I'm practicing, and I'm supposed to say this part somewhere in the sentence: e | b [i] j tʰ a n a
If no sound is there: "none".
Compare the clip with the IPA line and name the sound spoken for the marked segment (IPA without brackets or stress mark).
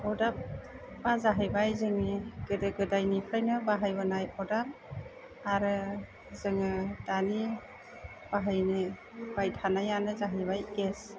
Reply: a